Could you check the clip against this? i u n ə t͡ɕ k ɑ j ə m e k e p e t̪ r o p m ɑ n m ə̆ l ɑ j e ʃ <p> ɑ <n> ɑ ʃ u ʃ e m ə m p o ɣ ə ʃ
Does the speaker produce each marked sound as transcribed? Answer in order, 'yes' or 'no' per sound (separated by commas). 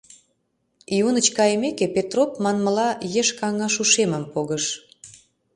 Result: no, no